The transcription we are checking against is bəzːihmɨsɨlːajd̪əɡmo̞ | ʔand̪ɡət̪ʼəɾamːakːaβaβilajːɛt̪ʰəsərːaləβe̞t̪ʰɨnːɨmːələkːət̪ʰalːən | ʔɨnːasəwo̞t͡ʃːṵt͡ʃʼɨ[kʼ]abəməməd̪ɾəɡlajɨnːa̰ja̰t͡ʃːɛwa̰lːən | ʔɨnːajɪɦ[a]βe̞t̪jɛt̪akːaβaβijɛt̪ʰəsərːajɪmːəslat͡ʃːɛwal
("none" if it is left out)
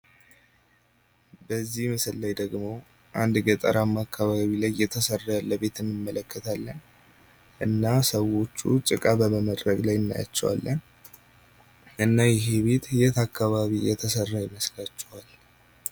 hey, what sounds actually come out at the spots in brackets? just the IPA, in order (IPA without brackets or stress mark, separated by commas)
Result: kʼ, e